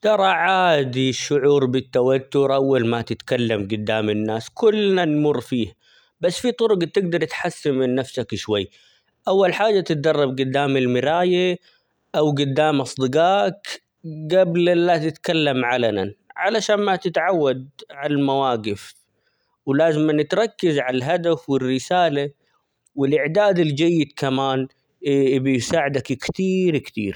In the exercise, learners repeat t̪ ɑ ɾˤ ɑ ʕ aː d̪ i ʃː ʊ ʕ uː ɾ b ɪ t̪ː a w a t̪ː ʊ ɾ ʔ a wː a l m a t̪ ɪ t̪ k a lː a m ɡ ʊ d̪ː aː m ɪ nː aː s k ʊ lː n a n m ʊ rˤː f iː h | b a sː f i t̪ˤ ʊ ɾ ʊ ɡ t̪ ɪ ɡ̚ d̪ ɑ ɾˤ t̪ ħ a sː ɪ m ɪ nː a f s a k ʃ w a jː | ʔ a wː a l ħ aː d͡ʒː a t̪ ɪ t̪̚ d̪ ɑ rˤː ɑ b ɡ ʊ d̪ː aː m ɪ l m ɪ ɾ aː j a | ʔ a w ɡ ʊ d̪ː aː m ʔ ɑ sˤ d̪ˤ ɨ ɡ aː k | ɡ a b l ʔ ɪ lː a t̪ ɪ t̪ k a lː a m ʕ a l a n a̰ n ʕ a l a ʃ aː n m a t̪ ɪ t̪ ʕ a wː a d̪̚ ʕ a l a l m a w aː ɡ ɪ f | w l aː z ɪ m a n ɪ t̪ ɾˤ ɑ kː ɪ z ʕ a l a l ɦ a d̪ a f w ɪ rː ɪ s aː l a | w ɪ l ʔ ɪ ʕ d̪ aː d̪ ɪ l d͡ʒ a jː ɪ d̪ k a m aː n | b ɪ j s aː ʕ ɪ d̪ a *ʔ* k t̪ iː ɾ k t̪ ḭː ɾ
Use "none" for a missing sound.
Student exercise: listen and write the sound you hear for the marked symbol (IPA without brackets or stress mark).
k